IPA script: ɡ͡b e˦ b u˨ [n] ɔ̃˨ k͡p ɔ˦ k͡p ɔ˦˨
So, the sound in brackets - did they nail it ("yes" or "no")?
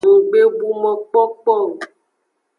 no